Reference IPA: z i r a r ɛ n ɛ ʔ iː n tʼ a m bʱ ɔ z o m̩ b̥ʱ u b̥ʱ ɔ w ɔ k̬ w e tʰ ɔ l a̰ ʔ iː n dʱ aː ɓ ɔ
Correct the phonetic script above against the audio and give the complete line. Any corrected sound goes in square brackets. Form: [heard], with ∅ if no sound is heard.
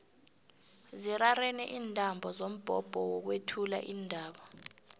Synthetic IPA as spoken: z i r a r ɛ n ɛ ʔ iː n tʼ a m bʱ ɔ z o m̩ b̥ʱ [ɔ] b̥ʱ ɔ w ɔ k̬ w e tʰ [u] l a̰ ʔ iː n dʱ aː ɓ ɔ